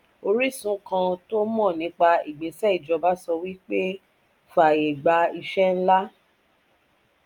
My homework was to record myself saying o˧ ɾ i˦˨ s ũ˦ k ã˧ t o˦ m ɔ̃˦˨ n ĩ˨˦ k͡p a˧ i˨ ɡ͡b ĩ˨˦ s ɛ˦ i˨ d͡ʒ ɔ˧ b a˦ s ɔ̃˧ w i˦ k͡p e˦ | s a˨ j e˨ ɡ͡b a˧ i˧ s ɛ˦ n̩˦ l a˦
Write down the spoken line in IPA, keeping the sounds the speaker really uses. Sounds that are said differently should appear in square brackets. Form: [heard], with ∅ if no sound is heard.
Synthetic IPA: o˧ ɾ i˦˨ s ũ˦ k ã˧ t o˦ m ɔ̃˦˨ n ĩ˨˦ k͡p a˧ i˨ ɡ͡b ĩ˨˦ s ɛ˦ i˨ d͡ʒ ɔ˧ b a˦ s [ɔ˧] w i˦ k͡p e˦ | [f] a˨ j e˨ ɡ͡b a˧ i˧ [ʃ] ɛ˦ n̩˦ l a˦

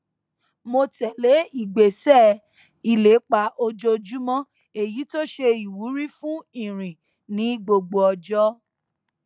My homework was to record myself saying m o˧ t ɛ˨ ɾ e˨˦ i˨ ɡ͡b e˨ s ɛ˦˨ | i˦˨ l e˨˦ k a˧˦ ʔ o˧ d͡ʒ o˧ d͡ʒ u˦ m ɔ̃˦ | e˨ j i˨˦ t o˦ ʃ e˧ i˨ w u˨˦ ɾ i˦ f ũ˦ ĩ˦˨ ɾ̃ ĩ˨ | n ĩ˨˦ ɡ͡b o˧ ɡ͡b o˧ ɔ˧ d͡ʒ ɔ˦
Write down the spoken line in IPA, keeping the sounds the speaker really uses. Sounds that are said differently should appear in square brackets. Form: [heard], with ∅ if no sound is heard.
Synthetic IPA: m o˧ t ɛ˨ [l] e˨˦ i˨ ɡ͡b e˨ s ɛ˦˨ | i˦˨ l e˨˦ [k͡p] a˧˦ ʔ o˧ d͡ʒ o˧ d͡ʒ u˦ m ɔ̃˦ | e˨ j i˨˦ t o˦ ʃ e˧ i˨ w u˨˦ ɾ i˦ f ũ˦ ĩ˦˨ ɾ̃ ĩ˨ | n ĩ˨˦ ɡ͡b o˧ ɡ͡b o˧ ɔ˧ d͡ʒ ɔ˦

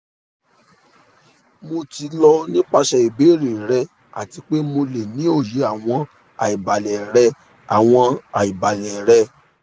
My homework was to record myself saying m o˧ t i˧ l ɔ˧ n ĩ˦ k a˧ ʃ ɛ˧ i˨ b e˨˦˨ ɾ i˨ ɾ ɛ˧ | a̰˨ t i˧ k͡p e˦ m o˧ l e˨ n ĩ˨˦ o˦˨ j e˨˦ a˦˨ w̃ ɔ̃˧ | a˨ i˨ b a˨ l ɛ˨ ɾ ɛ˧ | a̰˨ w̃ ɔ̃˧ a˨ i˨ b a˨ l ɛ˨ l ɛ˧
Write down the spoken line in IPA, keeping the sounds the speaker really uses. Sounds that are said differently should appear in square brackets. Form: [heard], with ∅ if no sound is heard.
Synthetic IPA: m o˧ t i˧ l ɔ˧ n ĩ˦ [k͡p] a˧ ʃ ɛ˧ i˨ b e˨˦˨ ɾ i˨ ɾ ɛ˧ | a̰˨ t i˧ k͡p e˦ m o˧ l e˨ n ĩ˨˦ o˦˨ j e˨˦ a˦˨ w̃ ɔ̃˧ | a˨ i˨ b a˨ l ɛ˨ ɾ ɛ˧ | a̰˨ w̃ ɔ̃˧ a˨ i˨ b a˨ l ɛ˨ [ɾ] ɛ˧

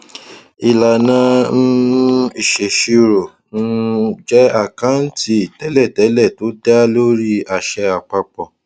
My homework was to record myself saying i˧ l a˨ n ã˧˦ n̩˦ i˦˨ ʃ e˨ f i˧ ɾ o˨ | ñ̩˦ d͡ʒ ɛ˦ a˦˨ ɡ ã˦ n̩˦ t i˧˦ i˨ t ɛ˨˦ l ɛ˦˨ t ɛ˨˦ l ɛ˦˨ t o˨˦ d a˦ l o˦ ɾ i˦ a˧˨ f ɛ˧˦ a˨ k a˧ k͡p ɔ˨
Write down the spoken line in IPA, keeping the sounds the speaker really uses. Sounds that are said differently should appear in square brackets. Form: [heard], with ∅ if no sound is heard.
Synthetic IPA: i˧ l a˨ n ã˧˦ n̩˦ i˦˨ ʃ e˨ [ʃ] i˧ ɾ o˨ | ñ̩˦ d͡ʒ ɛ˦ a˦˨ [k] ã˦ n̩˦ t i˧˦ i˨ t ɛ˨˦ l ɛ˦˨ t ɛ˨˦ l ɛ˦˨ t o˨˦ d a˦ l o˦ ɾ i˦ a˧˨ [ʃ] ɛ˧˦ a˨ [k͡p] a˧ k͡p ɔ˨

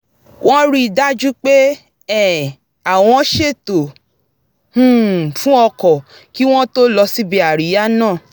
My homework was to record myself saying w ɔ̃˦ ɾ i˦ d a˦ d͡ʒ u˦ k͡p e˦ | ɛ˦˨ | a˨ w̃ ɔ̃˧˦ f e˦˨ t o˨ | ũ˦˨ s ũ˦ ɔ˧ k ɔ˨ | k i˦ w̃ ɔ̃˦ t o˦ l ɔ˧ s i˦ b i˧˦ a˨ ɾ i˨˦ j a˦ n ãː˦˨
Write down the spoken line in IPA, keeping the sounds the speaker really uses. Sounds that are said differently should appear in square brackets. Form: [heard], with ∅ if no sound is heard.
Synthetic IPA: w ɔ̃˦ ɾ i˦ d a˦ d͡ʒ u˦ k͡p e˦ | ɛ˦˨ | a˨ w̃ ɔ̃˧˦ [ʃ] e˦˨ t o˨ | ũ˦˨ [f] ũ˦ ɔ˧ k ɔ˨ | k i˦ w̃ ɔ̃˦ t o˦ l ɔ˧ s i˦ b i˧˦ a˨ ɾ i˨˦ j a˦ n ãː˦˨

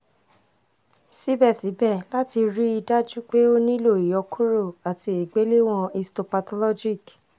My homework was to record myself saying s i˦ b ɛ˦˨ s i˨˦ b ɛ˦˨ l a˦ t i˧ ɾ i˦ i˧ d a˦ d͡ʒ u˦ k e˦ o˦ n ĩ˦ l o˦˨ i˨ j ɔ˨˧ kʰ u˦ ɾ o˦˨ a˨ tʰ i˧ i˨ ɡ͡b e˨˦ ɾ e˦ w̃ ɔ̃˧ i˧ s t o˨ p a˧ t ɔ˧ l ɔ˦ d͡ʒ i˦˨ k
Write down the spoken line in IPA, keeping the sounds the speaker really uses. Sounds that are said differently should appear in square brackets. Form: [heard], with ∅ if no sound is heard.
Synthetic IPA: s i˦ b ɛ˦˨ s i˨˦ b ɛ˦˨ l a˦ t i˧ ɾ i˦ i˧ d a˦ d͡ʒ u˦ [k͡p] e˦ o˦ n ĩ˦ l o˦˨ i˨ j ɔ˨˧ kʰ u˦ ɾ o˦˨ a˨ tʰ i˧ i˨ ɡ͡b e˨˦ [l] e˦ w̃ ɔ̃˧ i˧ s t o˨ p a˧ t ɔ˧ l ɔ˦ d͡ʒ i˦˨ k

